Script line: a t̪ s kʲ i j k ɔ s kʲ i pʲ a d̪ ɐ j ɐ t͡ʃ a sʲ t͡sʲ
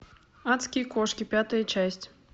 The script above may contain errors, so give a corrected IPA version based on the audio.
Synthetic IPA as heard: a t̪ s kʲ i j k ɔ ʂ kʲ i pʲ a t̪ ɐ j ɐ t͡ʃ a sʲ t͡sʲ